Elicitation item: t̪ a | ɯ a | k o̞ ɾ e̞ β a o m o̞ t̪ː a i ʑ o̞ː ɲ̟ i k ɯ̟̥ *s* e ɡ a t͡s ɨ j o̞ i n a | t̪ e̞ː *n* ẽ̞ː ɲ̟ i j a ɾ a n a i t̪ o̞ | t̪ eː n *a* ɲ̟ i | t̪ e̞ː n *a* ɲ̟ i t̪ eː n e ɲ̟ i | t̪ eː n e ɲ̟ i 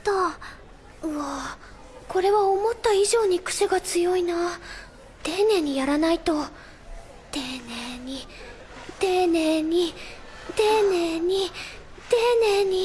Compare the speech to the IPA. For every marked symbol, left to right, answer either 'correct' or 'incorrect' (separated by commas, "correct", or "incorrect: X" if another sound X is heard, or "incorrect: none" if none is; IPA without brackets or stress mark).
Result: correct, correct, incorrect: e, incorrect: e